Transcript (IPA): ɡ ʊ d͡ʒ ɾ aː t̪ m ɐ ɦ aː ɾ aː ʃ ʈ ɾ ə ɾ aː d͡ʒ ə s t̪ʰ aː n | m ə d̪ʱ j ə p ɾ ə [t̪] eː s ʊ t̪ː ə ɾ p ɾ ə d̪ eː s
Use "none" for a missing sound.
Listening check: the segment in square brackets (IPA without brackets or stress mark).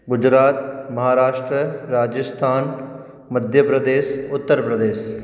d̪